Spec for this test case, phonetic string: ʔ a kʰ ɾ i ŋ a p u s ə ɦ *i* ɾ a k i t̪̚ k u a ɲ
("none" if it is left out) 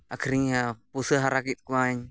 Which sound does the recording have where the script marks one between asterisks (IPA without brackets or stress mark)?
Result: a